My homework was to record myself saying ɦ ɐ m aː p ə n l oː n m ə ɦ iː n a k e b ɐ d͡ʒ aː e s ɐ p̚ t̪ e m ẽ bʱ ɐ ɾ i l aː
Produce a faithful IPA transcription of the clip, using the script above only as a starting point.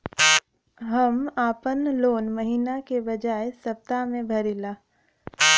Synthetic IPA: ɦ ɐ m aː p ə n l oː n m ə ɦ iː n a k e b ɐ d͡ʒ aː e s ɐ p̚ t̪ a m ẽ bʱ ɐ ɾ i l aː